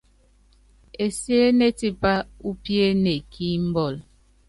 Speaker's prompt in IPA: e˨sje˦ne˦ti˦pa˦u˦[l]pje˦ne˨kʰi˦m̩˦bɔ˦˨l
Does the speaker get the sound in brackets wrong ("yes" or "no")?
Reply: yes